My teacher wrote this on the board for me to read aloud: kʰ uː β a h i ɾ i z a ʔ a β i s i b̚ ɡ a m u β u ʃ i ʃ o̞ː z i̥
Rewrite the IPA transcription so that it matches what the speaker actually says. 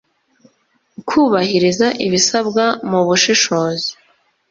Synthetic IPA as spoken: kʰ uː β a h i ɾ i z a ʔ i β i s a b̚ ɡ a m u β u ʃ i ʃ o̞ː z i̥

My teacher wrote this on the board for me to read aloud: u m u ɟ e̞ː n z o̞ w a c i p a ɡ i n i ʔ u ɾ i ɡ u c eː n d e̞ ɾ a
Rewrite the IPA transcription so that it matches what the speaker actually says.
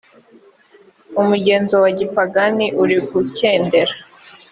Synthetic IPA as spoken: u m u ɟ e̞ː n z o̞ w a ɟ i p a ɡ a n i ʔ u ɾ i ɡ u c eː n d e̞ ɾ a

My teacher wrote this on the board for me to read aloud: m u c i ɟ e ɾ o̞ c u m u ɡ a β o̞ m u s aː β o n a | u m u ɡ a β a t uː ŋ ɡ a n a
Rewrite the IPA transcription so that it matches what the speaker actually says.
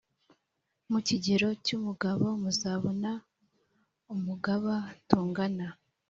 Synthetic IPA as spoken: m u c i ɟ e ɾ o̞ c u m u ɡ a β o̞ m u z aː β o n a | u m u ɡ a β a t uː ŋ ɡ a n a

